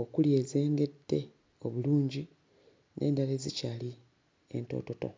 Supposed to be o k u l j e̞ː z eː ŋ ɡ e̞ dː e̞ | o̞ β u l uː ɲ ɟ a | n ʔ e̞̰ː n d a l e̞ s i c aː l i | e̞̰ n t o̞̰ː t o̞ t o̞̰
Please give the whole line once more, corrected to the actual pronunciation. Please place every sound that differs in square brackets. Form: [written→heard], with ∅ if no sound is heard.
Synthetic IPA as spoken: o k u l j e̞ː z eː ŋ ɡ e̞ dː e̞ | o̞ β u l uː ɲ ɟ [a→i] | n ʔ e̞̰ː n d a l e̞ [s→z] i c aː l i | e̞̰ n t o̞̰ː t o̞ t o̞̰